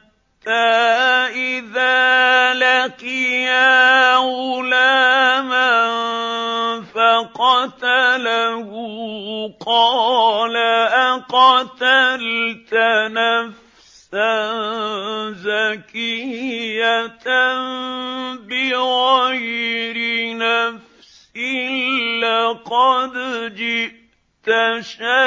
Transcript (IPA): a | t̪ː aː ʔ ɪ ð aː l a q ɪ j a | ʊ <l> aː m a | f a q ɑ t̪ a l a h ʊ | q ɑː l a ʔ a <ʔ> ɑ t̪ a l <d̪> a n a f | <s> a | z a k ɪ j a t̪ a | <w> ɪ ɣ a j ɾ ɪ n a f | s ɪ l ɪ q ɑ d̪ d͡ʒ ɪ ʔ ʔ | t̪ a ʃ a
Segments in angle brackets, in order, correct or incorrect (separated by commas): correct, incorrect, incorrect, correct, incorrect